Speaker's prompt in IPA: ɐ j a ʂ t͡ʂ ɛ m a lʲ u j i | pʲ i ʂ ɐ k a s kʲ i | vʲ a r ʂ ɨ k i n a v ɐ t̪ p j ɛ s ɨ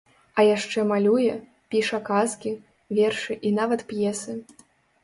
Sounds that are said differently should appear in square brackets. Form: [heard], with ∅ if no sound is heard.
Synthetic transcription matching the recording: ɐ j a ʂ t͡ʂ ɛ m a lʲ u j [ɛ] | pʲ i ʂ ɐ k a s kʲ i | vʲ [ɛ] r ʂ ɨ [ʔ] i n a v ɐ t̪ p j ɛ s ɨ